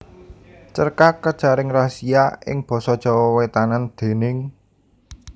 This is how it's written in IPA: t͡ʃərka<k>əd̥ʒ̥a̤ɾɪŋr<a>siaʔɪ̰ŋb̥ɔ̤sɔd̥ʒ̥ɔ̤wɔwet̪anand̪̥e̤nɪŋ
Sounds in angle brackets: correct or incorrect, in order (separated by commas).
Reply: correct, correct